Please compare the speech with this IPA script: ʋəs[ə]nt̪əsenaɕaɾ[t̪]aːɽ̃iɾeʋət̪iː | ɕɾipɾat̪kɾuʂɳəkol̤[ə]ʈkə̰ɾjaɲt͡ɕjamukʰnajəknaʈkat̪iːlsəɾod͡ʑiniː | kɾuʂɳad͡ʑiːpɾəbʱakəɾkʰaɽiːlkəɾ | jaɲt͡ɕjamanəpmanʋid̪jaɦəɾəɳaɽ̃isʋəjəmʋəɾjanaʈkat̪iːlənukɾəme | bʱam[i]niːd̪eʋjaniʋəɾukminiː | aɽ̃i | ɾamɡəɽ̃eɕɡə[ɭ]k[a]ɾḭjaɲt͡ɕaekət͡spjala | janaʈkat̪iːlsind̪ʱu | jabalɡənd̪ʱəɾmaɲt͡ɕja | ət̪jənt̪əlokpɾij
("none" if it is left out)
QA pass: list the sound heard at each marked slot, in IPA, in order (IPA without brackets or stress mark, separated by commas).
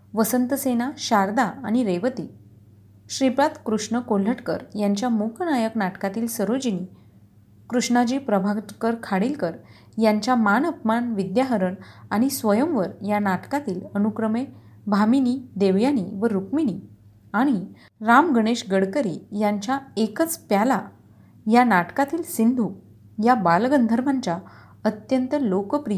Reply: ə, d̪, ə, i, ɽ, ə